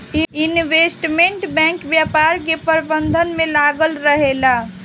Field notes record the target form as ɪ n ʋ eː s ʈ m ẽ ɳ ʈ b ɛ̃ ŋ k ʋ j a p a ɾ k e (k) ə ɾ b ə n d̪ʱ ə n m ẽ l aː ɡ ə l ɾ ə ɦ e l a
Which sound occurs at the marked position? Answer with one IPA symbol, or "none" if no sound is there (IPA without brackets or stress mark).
p